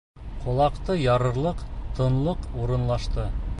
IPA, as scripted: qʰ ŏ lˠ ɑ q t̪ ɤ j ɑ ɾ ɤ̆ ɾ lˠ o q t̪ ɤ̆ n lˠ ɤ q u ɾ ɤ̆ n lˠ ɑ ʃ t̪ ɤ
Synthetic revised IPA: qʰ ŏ lˠ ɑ q t̪ ɤ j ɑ ɾ ɤ̆ ɾ lˠ ɤ q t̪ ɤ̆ n lˠ ɤ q u ɾ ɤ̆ n lˠ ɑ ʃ t̪ ɤ